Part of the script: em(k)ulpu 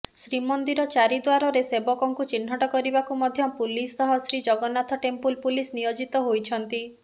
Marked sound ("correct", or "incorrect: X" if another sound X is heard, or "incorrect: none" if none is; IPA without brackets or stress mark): incorrect: p